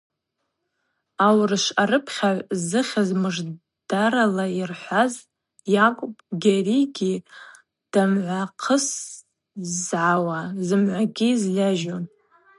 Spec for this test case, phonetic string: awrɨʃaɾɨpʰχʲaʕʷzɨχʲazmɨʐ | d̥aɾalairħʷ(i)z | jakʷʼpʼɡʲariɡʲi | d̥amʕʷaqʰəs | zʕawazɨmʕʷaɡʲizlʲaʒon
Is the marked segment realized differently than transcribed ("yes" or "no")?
yes